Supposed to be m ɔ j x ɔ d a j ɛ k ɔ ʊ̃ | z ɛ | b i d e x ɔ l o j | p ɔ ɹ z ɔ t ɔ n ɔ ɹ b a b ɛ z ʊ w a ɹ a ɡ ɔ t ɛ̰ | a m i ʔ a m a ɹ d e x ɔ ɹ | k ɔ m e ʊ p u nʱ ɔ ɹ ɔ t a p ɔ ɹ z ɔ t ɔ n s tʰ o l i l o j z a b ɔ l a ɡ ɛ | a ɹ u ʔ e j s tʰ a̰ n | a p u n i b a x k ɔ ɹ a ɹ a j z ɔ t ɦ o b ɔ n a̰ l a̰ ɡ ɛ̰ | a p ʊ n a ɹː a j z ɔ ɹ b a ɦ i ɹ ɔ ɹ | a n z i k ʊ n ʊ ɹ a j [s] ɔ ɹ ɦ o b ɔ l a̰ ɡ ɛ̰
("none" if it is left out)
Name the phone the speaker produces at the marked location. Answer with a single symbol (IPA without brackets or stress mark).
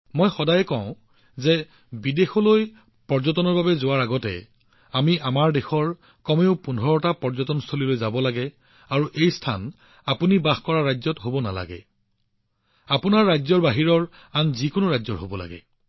z